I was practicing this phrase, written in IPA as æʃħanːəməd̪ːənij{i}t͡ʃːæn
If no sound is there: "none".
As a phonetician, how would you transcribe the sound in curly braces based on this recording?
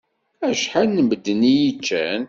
i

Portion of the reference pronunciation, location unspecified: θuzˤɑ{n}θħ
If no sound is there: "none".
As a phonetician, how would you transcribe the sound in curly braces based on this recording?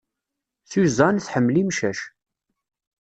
n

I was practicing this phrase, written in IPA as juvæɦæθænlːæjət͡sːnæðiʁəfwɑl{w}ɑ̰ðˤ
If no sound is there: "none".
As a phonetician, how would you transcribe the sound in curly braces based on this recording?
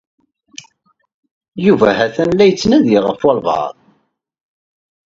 v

